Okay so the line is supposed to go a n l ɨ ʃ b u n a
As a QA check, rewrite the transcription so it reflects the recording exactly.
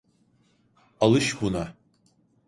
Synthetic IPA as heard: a l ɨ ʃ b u n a